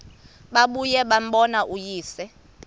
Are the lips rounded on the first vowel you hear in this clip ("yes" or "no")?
no